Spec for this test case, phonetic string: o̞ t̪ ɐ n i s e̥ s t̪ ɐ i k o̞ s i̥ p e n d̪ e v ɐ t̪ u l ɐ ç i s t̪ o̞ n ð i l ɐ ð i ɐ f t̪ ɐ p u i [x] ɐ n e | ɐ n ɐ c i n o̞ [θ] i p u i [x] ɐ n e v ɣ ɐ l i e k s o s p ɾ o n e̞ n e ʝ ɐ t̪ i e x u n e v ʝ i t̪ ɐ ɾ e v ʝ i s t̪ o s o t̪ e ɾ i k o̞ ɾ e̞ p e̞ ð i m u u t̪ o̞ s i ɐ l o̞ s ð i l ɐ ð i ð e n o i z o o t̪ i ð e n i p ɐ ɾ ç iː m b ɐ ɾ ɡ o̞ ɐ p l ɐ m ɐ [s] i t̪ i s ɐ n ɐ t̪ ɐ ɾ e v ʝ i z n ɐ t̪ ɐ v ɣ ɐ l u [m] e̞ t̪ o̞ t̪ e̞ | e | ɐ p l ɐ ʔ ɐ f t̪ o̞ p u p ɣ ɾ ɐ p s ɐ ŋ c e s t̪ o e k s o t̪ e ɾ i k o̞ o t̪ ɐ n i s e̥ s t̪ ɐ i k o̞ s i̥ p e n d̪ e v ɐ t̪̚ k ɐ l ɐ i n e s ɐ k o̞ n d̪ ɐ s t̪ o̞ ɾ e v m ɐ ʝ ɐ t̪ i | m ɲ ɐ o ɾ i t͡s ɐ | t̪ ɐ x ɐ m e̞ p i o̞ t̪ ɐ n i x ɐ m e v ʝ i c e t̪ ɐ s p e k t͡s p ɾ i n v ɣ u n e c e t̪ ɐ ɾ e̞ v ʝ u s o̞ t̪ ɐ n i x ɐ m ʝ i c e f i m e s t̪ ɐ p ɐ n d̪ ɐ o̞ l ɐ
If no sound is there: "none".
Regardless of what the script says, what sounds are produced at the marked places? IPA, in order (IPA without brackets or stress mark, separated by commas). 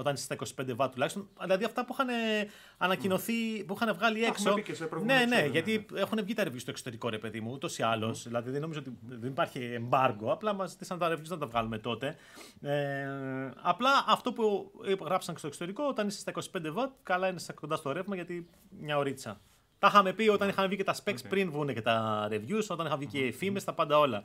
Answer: x, θ, x, z, m